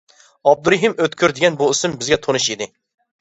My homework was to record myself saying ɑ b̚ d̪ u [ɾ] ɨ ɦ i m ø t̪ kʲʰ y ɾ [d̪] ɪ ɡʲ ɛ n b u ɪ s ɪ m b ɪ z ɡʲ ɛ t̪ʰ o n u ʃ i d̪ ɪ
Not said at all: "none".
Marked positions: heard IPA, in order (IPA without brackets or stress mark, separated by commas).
ɾ, d̪